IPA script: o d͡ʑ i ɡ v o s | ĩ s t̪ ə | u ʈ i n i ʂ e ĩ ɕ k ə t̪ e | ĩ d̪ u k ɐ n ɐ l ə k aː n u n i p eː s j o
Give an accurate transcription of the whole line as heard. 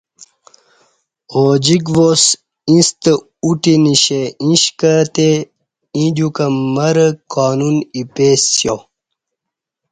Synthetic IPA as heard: o d͡ʑ i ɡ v o s | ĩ s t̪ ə | u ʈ i n i ɕ e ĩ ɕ k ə t̪ e | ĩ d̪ u k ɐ m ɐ ɾ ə k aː n u n i p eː s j o